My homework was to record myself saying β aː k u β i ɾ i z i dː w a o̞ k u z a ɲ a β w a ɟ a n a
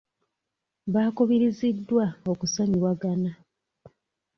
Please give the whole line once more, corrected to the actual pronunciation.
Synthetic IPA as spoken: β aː k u β i ɾ i z i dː w a o̞ k u s a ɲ i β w a ɡ a n a